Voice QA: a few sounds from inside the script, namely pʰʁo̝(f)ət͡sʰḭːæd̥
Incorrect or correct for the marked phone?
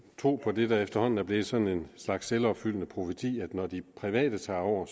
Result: correct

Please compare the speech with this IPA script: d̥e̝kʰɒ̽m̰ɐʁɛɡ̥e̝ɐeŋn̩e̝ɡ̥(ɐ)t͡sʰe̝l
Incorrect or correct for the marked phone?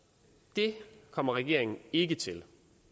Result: incorrect: ə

